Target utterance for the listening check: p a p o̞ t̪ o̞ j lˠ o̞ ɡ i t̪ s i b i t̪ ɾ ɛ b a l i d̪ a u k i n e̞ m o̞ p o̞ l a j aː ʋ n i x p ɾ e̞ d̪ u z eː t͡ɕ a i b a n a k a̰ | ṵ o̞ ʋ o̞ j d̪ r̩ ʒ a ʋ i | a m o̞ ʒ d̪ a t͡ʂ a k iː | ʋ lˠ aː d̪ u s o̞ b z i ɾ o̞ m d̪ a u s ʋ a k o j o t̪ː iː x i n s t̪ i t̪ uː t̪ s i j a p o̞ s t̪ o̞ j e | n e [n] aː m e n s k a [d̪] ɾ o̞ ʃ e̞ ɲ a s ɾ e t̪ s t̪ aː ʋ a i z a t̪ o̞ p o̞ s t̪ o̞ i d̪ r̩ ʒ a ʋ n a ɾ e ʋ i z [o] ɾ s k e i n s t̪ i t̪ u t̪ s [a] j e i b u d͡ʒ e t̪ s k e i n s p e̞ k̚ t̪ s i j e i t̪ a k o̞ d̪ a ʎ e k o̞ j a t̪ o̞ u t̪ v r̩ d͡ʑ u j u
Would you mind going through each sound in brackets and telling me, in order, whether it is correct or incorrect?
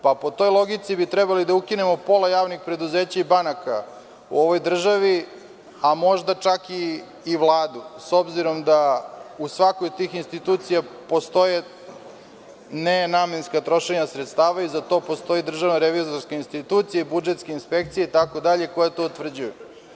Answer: correct, incorrect: t̪, correct, incorrect: i

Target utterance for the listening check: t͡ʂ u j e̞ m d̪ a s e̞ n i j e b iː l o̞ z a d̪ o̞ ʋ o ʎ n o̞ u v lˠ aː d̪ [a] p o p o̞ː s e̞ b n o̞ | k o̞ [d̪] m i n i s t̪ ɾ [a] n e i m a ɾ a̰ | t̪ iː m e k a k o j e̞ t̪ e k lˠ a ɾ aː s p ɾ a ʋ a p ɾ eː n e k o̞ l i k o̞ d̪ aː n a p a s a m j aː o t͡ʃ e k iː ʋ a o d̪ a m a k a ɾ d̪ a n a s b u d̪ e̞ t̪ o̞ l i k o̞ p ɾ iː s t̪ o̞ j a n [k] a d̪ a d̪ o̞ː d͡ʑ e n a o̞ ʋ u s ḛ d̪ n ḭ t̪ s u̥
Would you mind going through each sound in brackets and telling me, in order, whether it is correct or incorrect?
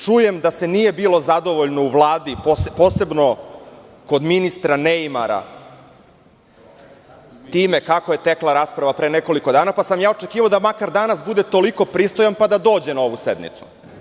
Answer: incorrect: i, correct, correct, incorrect: p

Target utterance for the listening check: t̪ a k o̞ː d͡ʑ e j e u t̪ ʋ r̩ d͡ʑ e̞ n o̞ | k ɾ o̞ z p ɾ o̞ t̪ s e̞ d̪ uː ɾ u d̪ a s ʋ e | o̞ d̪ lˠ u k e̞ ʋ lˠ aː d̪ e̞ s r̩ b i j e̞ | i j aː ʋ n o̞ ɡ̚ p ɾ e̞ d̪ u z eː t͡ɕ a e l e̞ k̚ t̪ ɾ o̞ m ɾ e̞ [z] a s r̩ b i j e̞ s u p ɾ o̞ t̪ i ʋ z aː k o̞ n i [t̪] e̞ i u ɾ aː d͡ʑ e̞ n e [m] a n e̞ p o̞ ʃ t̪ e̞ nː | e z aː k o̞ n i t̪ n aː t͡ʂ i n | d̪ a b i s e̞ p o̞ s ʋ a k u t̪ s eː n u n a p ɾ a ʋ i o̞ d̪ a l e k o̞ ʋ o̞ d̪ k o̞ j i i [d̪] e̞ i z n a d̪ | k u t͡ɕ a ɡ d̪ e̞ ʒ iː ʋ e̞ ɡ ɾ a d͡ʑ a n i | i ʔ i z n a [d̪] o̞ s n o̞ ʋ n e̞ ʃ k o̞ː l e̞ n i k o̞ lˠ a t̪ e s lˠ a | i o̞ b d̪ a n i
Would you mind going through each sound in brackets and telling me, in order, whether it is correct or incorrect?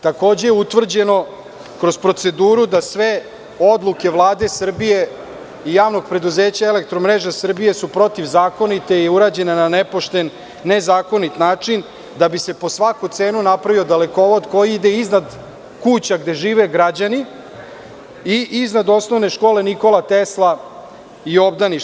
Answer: incorrect: ʒ, correct, incorrect: n, correct, correct

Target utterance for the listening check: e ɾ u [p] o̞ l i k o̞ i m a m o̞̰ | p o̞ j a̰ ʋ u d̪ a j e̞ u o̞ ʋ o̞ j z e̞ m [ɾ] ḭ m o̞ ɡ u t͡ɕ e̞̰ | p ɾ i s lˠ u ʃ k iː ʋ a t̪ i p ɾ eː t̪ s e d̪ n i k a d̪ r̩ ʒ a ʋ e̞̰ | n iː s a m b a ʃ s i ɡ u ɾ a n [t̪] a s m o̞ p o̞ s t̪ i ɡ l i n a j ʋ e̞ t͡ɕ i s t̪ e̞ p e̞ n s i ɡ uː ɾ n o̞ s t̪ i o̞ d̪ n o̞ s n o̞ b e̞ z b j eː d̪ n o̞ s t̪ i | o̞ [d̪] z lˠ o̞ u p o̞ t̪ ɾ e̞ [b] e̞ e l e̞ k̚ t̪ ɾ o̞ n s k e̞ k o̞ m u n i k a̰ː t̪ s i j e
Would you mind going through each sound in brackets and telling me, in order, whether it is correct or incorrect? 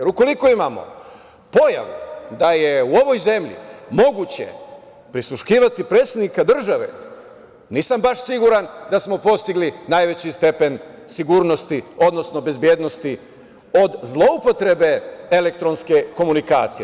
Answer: incorrect: k, incorrect: ʎ, incorrect: d̪, correct, correct

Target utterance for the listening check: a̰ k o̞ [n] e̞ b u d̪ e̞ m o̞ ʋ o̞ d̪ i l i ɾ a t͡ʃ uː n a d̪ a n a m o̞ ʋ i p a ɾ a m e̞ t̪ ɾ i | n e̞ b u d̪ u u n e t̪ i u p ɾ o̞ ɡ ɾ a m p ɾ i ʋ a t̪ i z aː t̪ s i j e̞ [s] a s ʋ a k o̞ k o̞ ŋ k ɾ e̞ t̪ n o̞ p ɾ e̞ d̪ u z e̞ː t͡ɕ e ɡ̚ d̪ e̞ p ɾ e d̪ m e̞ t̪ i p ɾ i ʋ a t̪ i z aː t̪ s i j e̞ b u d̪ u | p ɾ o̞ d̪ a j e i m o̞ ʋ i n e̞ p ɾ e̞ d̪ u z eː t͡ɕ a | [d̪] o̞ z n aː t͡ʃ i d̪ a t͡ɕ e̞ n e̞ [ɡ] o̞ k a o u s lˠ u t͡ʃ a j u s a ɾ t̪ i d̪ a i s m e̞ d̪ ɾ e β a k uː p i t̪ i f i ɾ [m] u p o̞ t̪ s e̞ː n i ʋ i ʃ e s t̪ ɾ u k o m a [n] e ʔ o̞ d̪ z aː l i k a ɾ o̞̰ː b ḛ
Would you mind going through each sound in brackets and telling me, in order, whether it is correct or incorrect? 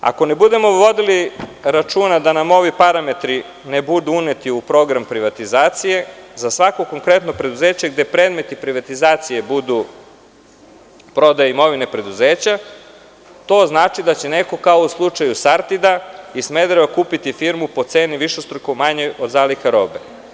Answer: correct, incorrect: z, incorrect: t̪, incorrect: k, correct, incorrect: ɲ

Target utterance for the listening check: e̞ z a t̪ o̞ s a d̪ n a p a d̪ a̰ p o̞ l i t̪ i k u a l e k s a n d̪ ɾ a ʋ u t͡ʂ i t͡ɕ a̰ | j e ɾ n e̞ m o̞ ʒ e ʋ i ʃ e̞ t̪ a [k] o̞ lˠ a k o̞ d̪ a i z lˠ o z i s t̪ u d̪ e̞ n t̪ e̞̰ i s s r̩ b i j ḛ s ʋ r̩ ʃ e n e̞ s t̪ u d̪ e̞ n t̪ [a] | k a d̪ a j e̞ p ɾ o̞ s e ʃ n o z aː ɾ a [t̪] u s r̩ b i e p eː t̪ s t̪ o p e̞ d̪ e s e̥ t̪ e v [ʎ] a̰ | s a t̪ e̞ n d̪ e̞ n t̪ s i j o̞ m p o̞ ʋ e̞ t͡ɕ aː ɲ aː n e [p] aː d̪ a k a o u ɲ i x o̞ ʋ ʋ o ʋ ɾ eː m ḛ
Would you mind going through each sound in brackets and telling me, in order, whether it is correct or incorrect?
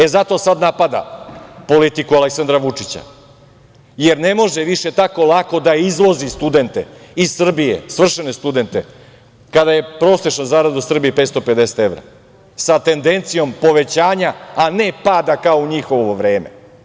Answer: correct, incorrect: e, incorrect: d̪, incorrect: ɾ, correct

